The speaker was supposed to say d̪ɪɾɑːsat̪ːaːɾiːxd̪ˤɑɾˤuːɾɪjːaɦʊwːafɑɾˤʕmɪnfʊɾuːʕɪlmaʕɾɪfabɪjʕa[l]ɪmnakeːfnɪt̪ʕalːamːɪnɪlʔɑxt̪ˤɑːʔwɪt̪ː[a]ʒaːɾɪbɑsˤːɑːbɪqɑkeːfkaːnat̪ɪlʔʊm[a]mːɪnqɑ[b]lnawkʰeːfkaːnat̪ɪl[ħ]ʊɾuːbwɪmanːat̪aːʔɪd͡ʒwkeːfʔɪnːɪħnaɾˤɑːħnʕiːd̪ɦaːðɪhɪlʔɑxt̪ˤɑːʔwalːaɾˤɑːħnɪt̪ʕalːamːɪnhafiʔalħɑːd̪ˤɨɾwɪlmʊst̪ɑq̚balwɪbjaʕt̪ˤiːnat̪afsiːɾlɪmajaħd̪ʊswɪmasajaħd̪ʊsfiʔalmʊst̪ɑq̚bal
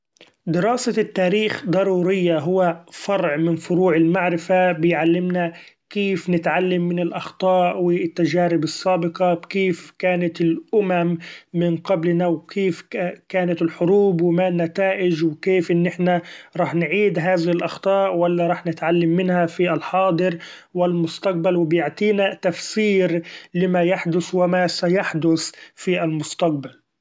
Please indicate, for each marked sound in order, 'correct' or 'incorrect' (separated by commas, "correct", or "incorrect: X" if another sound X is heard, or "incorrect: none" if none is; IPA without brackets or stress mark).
incorrect: lː, correct, correct, correct, correct